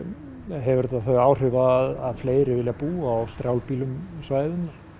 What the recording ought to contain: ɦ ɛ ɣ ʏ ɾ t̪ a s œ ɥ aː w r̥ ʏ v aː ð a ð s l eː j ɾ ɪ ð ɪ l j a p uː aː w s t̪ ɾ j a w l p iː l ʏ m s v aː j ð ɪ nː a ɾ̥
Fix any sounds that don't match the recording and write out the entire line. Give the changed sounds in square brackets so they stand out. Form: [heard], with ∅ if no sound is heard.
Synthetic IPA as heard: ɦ ɛ [v] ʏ ɾ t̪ a [θ] œ ɥ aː w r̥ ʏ v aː ð a ð [f] l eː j ɾ ɪ [v] ɪ l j a p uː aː w s t̪ ɾ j a w l p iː l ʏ m s v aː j ð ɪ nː a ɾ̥